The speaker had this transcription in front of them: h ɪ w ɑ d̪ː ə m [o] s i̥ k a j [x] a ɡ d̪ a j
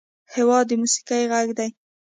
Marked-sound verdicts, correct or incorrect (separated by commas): incorrect, incorrect